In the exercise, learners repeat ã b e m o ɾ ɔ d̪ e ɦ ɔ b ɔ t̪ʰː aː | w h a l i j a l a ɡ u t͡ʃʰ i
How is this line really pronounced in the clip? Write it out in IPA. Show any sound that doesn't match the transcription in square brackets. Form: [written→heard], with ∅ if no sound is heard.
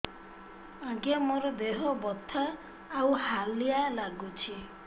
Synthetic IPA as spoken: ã [b→ɡ] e m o ɾ ɔ d̪ e ɦ ɔ b ɔ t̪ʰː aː | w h a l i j a l a ɡ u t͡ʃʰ i